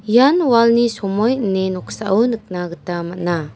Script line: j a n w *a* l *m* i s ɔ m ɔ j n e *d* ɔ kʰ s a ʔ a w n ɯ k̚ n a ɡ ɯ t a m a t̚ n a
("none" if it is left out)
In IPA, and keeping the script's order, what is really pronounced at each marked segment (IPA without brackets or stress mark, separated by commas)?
a, n, n